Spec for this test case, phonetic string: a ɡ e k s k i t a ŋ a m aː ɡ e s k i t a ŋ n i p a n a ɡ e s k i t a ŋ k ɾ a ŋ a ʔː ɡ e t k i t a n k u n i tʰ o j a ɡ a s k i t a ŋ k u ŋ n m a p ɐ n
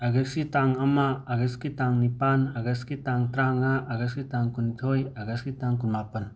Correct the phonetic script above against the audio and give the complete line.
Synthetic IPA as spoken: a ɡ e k s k i t a ŋ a m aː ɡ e s k i t a ŋ n i p a n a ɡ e s k i t a ŋ t ɾ a ŋ a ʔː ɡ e s k i t a ŋ k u n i tʰ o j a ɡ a s k i t a ŋ k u n m a p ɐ n